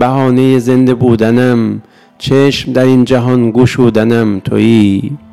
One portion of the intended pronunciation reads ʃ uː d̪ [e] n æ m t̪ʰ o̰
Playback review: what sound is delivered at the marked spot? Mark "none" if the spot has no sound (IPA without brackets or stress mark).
æ